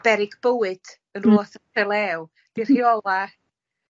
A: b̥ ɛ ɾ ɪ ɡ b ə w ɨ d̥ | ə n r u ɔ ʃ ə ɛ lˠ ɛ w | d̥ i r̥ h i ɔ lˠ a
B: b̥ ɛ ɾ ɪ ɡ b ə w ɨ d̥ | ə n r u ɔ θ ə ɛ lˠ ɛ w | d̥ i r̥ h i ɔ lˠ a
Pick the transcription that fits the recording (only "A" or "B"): B